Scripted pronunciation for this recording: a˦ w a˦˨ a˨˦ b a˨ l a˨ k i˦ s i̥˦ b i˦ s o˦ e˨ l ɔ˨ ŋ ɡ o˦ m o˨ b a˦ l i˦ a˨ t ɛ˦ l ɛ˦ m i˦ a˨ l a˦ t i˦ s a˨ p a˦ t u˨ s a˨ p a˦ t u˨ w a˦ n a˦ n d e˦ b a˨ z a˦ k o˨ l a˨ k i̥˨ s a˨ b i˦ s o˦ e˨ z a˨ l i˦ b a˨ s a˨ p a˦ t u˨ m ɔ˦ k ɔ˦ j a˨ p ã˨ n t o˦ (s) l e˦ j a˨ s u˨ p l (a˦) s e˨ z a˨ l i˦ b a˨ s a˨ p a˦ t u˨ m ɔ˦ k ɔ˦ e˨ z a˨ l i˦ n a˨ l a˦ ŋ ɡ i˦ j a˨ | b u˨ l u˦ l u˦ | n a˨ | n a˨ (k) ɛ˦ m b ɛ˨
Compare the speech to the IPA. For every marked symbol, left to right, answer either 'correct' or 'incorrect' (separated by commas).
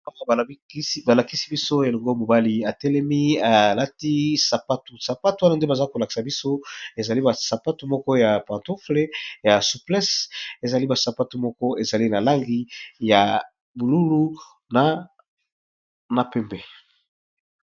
incorrect, incorrect, incorrect